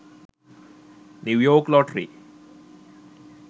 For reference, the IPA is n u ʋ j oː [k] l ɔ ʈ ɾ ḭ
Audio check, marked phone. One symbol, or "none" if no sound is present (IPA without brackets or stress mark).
k